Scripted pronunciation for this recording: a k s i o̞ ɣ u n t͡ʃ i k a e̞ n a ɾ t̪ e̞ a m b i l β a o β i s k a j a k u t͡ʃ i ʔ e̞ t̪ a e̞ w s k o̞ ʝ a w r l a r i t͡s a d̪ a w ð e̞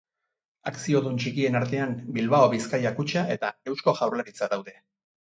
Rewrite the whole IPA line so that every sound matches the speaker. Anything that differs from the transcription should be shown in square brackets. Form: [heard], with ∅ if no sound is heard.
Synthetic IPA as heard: a k s i o̞ [ð] u n t͡ʃ i k [i] e̞ n a ɾ t̪ e̞ a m b i l β a o β i s k a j a k u t͡ʃ [a] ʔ e̞ t̪ a e̞ w s k o̞ ʝ a w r l a [ɾ] i t͡s a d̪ a w ð e̞